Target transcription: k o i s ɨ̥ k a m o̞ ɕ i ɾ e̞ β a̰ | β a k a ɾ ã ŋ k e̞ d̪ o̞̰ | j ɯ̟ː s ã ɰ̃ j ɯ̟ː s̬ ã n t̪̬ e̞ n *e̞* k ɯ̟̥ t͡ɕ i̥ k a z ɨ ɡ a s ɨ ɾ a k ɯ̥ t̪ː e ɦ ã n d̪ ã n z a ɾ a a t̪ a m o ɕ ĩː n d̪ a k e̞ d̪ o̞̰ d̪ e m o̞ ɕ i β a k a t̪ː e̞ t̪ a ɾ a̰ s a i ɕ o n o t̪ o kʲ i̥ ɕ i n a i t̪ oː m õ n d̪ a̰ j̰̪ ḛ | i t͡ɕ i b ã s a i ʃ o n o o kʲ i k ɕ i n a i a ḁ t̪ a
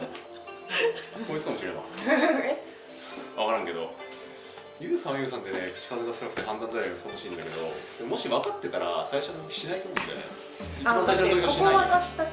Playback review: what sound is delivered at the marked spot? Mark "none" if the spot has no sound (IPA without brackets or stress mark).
e̞